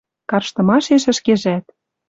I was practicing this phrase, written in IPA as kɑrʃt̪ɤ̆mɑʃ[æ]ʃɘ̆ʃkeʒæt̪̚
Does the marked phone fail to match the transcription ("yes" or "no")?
yes